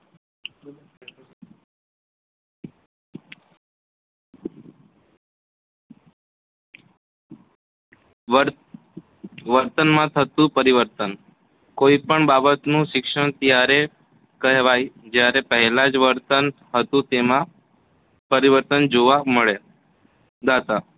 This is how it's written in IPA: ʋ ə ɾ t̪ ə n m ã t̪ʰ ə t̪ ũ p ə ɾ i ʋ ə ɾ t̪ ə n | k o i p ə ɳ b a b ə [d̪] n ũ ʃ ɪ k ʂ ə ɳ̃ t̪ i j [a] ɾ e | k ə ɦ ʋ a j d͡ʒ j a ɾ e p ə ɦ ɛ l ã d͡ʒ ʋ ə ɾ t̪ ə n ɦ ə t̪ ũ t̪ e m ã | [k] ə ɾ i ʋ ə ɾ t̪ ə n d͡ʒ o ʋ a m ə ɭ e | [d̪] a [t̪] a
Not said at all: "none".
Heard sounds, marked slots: t̪, a, p, d̪, t̪

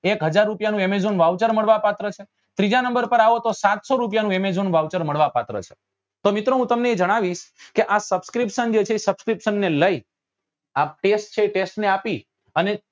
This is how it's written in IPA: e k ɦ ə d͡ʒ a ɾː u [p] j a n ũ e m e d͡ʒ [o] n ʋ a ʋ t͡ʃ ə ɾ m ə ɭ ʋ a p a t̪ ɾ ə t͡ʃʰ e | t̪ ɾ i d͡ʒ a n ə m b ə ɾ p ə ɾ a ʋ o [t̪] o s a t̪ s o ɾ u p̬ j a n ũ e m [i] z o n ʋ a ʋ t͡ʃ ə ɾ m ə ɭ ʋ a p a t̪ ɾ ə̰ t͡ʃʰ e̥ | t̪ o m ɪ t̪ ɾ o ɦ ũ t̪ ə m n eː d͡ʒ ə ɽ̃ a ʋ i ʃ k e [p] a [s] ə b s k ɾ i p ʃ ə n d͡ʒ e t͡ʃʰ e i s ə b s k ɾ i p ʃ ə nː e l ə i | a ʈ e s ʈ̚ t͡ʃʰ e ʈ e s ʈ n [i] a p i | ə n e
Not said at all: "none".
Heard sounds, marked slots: p, o, t̪, e, ʔ, s, e

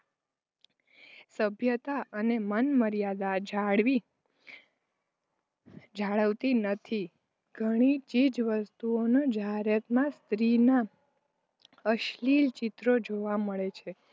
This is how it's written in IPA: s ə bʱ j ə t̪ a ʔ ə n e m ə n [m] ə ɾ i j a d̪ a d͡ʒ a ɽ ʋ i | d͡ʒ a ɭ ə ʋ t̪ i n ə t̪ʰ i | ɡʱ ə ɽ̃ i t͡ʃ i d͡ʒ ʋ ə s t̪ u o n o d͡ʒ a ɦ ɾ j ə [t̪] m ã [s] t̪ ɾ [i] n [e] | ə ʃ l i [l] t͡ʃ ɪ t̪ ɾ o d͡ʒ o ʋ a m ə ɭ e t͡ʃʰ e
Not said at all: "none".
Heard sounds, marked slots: m, t̪, s, i, a, l

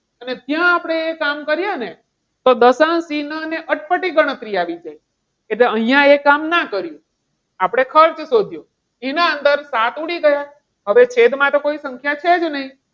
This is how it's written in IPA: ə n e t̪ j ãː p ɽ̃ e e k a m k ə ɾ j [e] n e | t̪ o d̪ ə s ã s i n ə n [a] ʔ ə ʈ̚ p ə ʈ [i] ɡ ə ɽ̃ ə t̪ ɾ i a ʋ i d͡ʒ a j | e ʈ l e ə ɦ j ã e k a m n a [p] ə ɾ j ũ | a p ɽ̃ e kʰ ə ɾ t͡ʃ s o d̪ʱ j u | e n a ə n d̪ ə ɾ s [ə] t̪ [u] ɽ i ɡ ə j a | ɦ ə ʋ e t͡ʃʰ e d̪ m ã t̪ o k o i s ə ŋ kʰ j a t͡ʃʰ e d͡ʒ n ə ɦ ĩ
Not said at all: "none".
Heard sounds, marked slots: a, e, i, k, a, u

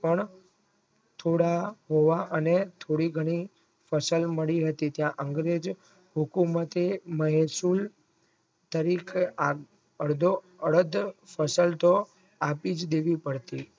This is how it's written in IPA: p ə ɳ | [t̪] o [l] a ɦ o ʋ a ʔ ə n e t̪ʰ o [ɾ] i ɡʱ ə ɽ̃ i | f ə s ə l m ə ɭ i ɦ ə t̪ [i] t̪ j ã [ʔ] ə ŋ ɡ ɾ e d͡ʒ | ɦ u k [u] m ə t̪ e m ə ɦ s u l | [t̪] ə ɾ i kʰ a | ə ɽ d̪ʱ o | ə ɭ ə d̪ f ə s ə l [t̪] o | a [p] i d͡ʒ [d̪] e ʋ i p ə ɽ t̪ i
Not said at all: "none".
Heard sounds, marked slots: t̪ʰ, ɽ, ɽ, i, ʔ, u, t̪, t̪, p, d̪

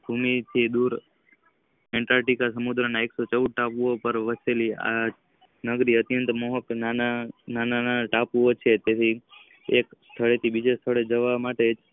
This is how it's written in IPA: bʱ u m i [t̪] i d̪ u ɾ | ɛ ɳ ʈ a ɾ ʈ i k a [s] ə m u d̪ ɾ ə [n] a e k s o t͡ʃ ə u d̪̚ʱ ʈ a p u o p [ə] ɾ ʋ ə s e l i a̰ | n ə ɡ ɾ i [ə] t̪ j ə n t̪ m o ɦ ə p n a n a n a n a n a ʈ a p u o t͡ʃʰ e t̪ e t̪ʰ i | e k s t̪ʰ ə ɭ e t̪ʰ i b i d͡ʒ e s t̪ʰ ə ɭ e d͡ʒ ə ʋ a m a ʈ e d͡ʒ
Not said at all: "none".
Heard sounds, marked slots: t̪ʰ, s, n, ə, ə

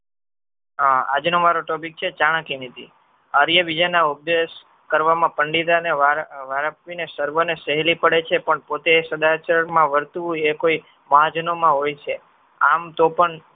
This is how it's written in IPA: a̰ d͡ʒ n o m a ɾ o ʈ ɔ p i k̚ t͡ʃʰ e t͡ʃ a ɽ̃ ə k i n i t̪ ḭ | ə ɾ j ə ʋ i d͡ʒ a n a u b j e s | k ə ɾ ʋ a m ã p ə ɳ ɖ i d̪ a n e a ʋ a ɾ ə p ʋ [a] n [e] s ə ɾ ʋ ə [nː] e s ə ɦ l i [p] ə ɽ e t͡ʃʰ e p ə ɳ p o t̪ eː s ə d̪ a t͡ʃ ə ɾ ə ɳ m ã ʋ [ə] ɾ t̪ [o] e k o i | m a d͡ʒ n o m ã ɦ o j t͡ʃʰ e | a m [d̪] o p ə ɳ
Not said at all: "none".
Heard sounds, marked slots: i, e, n, p, ə, u, t̪

